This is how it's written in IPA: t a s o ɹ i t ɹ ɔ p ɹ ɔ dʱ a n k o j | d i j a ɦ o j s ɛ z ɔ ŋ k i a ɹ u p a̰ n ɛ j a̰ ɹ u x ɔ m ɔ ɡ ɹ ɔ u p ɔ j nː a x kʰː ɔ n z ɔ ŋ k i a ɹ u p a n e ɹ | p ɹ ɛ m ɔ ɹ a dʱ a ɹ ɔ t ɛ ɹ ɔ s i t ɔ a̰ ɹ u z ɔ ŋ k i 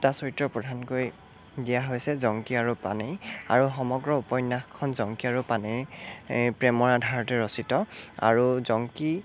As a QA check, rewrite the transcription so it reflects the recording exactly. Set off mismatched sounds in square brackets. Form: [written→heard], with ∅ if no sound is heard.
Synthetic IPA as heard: t a s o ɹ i t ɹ ɔ p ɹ ɔ dʱ a n k o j | d i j a ɦ o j s ɛ z ɔ ŋ k i a ɹ u p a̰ n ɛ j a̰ ɹ u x ɔ m ɔ ɡ ɹ ɔ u p ɔ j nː a x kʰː ɔ n z ɔ ŋ k i a ɹ u p a n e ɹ | p ɹ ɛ m ɔ ɹ a dʱ a ɹ ɔ t ɛ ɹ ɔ s i t ɔ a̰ ɹ u z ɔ ŋ k i